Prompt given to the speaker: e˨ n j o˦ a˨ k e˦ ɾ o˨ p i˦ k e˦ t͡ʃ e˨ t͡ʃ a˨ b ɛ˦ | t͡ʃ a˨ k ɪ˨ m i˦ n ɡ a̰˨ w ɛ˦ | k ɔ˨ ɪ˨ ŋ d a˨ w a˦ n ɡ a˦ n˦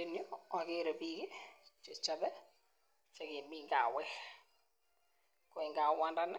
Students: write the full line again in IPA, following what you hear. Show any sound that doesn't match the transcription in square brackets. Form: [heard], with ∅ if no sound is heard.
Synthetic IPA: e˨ n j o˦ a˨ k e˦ ɾ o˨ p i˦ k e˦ t͡ʃ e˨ t͡ʃ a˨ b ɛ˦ | t͡ʃ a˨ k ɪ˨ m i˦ [ŋ] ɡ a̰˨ w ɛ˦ | k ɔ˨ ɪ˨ ŋ [ɡ] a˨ w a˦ n [d] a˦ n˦